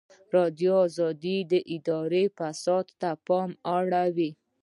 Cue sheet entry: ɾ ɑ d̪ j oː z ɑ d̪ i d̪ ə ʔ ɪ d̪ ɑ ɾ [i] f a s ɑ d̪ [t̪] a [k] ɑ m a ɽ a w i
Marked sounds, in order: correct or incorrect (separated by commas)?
incorrect, correct, incorrect